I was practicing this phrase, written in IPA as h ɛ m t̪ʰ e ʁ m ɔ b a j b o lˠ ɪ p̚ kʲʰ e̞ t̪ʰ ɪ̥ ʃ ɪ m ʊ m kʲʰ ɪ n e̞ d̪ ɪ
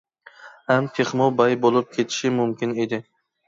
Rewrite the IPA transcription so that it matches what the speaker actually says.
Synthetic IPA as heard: h a m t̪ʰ e χ m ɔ b a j b o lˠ ɪ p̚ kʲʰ e̞ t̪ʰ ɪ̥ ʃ ɪ m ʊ m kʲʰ ɪ n e̞ d̪ ɪ